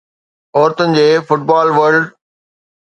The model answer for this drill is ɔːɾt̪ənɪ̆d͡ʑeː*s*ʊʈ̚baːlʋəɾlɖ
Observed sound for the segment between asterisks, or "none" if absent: f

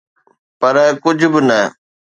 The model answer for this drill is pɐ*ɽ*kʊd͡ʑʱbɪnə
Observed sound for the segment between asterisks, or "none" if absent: ɾ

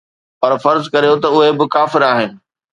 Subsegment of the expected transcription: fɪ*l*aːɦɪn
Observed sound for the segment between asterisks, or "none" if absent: ɾ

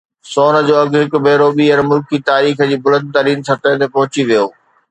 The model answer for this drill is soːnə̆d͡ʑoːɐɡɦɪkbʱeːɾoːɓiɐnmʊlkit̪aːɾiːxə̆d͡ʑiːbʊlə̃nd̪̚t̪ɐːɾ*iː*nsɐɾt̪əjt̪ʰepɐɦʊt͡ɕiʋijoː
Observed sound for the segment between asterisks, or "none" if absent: iː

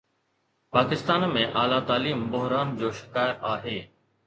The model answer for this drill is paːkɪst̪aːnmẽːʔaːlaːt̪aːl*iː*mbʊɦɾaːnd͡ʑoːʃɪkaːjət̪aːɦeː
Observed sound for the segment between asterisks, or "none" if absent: iː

